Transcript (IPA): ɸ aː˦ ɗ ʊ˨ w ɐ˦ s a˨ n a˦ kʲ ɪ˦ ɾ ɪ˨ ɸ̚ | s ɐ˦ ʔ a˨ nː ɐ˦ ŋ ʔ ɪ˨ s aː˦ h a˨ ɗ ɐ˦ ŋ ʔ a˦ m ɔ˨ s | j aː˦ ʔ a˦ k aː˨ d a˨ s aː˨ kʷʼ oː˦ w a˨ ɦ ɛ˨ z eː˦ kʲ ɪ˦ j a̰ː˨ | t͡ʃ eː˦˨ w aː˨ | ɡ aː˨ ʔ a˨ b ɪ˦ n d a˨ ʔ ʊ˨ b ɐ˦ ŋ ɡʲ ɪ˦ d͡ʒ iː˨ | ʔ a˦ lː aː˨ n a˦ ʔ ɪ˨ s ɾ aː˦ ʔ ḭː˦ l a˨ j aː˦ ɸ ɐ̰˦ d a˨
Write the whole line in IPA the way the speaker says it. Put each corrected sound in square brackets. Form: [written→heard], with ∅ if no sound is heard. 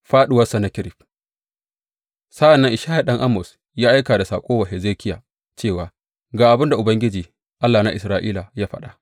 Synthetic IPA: ɸ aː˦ ɗ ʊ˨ w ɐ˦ s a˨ n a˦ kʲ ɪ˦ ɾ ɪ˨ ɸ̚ | s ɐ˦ ʔ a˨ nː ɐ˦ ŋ ʔ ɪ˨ [s→ʃ] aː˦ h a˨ ɗ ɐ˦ ŋ ʔ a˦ m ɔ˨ s | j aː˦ ʔ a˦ k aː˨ d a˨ s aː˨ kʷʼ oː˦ w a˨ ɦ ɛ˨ z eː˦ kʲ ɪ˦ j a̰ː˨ | t͡ʃ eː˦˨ w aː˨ | ɡ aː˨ ʔ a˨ b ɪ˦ n d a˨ ʔ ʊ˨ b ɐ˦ ŋ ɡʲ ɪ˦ d͡ʒ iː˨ | ʔ a˦ lː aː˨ n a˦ ʔ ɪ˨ s ɾ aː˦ ʔ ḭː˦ l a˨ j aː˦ ɸ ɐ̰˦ [d→ɗ] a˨